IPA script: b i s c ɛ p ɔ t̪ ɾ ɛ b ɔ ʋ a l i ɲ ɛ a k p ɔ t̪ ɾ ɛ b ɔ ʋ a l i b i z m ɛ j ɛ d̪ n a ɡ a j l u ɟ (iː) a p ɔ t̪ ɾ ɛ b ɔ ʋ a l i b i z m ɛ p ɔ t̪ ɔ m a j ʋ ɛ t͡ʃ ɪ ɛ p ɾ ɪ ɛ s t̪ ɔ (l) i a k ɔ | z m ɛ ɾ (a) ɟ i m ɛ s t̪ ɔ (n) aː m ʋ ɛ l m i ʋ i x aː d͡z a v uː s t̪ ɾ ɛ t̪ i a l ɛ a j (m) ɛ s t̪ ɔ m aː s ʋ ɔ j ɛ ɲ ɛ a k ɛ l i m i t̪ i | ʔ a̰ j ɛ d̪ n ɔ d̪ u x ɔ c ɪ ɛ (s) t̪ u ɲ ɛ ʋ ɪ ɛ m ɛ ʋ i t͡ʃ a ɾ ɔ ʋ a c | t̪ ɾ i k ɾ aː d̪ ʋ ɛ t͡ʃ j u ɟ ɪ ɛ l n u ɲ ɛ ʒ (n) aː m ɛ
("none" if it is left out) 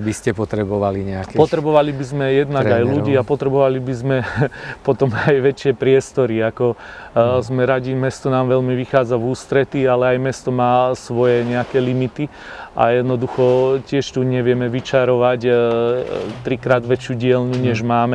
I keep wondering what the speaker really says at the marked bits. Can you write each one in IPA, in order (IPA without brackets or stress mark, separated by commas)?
iː, ɾ, a, n, m, ʃ, m